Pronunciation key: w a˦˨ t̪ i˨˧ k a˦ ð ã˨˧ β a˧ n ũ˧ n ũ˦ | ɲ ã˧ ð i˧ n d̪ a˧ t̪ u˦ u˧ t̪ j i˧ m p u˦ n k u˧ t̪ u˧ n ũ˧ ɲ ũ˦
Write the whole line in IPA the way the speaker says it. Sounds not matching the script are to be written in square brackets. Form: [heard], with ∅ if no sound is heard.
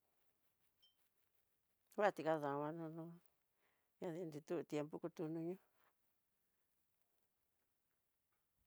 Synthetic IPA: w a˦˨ t̪ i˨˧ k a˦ ð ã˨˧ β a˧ n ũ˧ n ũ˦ | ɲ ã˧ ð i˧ n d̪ [i˧] t̪ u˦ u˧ t̪ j [e˧] m p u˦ [∅] k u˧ t̪ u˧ n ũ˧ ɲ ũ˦